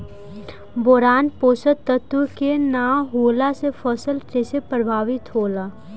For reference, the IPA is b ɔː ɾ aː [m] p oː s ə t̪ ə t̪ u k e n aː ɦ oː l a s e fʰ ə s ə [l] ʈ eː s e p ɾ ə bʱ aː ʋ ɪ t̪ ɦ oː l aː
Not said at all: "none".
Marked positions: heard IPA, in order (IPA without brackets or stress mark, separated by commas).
n, l